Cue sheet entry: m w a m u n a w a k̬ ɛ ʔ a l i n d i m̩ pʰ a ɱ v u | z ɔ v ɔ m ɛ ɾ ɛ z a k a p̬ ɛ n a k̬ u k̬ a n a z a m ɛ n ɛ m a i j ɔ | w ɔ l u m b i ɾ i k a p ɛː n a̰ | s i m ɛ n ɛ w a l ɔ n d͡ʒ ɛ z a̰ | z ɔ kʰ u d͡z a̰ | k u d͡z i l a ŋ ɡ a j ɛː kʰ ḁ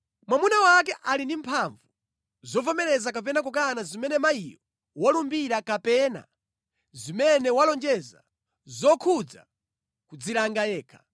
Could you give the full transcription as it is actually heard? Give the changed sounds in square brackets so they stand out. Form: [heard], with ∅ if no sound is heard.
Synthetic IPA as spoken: m w a m u n a w a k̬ ɛ ʔ a l i n d i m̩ pʰ a ɱ v u | z ɔ v ɔ m ɛ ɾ ɛ z a k a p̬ ɛ n a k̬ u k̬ a n a z [i] m ɛ n ɛ m a i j ɔ | w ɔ l u m b i ɾ [a] k a p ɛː n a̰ | [z] i m ɛ n ɛ w a l ɔ n d͡ʒ ɛ z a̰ | z ɔ kʰ u d͡z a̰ | k u d͡z i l a ŋ ɡ a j ɛː kʰ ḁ